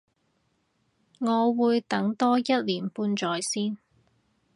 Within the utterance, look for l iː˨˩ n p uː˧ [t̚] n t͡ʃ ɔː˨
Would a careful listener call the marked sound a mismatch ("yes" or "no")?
yes